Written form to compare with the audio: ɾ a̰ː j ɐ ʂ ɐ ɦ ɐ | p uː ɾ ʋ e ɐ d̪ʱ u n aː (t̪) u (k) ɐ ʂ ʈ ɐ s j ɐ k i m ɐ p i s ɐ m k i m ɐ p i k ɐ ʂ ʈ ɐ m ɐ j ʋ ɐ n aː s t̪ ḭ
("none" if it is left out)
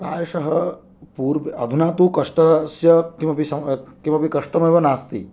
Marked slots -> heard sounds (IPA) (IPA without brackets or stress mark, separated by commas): t̪, k